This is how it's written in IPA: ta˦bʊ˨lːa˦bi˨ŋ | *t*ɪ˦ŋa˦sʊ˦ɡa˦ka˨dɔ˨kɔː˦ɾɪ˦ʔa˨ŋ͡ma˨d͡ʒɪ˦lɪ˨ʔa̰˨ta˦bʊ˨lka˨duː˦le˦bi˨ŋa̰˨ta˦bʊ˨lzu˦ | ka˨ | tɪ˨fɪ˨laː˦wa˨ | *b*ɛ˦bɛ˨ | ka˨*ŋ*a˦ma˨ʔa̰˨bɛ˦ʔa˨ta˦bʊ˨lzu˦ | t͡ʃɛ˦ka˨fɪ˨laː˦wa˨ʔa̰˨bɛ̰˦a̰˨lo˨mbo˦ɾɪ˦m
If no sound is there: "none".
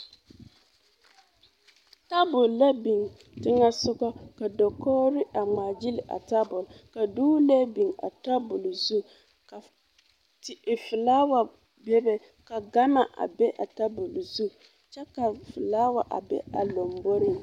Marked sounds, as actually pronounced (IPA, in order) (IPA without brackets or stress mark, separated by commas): t, b, ɡ